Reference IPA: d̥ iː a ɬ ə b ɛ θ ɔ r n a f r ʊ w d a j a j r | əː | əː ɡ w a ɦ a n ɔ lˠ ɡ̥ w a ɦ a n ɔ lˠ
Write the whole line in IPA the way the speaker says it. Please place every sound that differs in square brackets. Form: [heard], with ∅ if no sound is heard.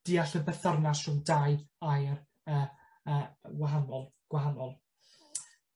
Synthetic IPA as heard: d̥ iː a ɬ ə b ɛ θ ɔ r n a [s] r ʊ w d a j a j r | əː | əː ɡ w a ɦ a n ɔ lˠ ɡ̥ w a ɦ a n ɔ lˠ